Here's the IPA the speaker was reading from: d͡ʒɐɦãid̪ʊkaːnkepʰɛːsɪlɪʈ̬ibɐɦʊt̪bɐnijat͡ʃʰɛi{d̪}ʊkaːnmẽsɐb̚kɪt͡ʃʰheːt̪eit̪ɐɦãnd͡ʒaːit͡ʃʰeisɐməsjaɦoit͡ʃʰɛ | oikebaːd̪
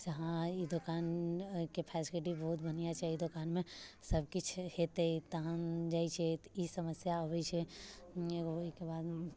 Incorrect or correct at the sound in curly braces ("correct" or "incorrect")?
correct